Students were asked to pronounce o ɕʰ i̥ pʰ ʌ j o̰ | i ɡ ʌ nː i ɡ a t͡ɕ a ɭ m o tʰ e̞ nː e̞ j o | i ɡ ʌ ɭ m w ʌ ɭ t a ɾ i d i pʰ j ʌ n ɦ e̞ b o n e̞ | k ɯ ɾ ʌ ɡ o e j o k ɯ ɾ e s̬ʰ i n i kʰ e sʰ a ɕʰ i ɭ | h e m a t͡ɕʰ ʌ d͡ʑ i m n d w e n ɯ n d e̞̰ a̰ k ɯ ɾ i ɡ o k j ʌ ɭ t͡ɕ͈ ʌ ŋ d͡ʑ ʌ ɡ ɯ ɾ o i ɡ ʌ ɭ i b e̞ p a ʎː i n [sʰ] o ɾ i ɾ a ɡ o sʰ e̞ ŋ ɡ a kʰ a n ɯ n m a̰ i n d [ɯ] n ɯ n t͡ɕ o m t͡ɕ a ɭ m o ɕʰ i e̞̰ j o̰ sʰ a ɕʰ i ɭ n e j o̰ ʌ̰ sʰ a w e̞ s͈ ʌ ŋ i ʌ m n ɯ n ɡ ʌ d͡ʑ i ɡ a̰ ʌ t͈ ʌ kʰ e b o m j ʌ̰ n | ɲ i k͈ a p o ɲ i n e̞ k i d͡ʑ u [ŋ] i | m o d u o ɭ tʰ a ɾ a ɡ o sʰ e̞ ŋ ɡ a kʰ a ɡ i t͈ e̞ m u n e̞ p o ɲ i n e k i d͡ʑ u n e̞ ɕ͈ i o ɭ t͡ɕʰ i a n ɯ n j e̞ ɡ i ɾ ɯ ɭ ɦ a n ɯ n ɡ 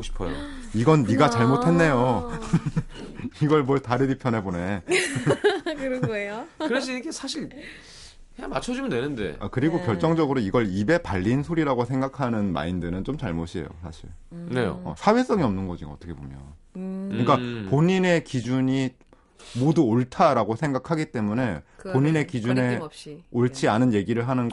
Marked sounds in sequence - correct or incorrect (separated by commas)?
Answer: correct, correct, incorrect